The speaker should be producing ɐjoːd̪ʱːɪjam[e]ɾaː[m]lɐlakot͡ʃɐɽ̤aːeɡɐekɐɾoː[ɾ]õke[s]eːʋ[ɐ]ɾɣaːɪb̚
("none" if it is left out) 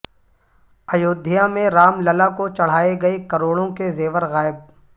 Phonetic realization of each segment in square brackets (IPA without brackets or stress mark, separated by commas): ẽ, m, ɽ, z, ə